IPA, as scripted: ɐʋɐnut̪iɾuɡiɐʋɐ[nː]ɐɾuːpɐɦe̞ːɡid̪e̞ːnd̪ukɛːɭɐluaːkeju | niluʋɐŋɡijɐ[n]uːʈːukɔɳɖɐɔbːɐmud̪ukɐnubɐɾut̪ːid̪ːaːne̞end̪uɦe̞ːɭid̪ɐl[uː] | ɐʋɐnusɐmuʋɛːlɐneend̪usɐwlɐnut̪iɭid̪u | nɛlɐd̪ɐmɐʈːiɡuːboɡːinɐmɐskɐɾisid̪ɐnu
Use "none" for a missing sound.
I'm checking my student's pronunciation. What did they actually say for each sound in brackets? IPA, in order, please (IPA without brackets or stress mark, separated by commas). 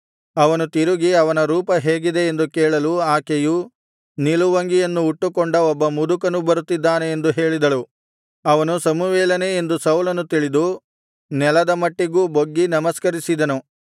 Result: n, nː, u